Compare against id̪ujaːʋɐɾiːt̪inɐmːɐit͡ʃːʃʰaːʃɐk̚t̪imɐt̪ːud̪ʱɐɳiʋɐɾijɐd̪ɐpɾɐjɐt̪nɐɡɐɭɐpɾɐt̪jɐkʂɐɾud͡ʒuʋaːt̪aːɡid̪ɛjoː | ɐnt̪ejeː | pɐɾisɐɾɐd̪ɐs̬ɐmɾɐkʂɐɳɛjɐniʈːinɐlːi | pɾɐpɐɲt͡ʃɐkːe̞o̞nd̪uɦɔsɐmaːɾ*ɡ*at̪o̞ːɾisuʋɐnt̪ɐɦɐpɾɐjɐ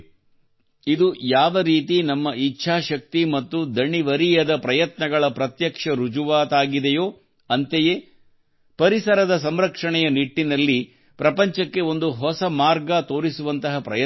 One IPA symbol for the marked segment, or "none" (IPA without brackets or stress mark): ɡ